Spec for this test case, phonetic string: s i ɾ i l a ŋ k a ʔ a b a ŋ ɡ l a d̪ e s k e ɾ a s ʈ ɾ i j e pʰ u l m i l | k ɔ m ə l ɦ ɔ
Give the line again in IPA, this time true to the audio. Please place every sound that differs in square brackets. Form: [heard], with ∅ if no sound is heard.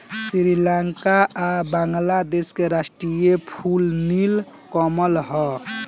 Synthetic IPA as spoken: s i ɾ i l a ŋ k a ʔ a b a ŋ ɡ l a d̪ e s k e ɾ a s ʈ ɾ i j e pʰ u l [n] i l | k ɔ m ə l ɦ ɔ